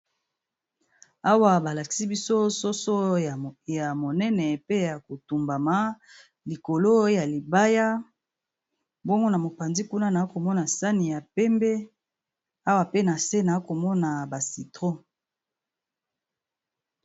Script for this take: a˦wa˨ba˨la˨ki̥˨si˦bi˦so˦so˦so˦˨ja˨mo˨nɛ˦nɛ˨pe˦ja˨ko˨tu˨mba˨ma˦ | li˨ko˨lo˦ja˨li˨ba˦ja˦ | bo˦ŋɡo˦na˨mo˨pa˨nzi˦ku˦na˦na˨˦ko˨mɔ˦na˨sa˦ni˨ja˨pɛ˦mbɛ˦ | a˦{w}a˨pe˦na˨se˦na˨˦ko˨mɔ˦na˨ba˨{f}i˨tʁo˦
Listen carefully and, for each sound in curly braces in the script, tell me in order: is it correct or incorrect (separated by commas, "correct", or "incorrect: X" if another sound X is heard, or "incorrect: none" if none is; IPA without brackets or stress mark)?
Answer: correct, incorrect: s